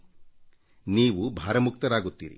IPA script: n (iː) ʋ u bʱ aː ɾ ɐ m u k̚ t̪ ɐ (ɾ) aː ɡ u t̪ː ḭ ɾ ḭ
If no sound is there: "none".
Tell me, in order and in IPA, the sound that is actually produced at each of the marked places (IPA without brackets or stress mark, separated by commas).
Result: iː, ɾ